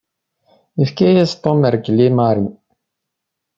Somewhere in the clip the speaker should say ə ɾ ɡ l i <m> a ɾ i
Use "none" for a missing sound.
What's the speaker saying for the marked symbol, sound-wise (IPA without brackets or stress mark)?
m